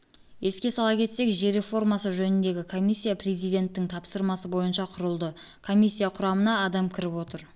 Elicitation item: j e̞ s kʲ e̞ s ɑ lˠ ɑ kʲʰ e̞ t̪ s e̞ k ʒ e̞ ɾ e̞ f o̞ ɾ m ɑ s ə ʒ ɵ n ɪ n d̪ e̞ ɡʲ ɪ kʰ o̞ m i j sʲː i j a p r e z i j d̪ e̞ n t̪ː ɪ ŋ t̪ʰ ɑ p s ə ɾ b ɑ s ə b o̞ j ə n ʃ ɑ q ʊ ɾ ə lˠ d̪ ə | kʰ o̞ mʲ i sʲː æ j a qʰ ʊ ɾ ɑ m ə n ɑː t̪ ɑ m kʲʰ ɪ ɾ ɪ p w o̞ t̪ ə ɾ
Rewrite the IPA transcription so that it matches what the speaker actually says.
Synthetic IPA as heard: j e̞ s kʲ e̞ s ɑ lˠ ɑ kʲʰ e̞ t̪ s e̞ k ʒ e̞ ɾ e̞ f o̞ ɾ m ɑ s ə ʒ ɵ n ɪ n d̪ e̞ ɡʲ ɪ kʰ o̞ m i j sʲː i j a p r e z i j d̪ e̞ n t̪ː ɪ ŋ t̪ʰ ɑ p s ə ɾ m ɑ s ə b o̞ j ə n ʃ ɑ qʰ ʊ ɾ ə lˠ d̪ ə | kʰ o̞ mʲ i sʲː i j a qʰ ʊ ɾ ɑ m ə n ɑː d̪ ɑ m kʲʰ ɪ ɾ ɪ p w o̞ t̪ ə ɾ